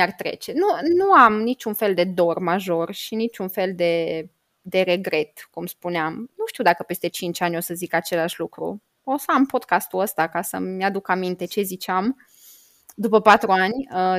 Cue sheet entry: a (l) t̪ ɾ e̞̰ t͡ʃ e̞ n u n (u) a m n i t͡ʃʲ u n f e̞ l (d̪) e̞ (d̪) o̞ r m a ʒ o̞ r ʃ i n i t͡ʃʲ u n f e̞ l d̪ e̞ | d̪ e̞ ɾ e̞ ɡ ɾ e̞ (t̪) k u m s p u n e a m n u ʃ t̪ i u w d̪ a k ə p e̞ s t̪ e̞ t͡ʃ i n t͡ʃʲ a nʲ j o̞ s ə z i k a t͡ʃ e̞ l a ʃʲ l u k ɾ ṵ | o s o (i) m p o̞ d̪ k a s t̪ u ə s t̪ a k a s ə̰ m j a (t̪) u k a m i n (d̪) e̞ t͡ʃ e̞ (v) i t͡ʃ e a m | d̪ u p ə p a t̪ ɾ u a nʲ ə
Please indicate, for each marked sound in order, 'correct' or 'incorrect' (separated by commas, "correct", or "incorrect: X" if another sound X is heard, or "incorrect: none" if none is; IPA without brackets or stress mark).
incorrect: r, correct, correct, correct, correct, incorrect: a, incorrect: d̪, incorrect: t̪, incorrect: z